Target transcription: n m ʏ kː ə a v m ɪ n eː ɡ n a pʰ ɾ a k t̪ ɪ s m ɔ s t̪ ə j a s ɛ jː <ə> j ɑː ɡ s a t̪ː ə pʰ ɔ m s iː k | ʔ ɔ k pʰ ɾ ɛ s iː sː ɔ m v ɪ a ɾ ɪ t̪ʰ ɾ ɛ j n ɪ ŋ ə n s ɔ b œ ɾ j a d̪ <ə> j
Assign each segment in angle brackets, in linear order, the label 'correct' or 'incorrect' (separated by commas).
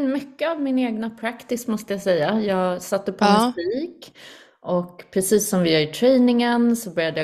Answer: incorrect, correct